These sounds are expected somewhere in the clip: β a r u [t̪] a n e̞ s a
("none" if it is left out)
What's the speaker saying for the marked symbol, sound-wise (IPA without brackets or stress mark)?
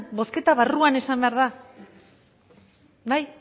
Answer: none